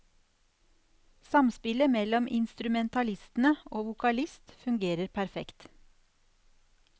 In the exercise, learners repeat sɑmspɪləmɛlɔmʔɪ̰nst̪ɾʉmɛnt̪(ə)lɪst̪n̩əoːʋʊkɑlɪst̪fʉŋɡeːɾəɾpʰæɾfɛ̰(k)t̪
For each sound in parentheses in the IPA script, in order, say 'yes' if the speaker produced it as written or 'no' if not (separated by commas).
no, yes